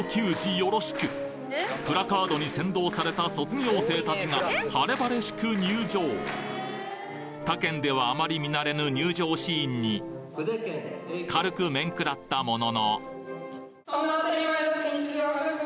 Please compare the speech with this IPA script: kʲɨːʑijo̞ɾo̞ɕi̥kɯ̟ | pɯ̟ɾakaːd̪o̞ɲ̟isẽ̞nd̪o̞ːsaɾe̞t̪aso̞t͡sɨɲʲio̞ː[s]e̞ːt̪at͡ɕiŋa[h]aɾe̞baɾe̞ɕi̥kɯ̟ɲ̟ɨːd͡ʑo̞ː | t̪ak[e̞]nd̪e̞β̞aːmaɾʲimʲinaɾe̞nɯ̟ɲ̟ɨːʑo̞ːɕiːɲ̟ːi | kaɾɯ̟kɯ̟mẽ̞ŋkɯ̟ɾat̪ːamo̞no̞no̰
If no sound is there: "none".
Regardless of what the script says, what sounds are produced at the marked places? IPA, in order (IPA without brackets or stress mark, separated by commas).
s, h, ẽ̞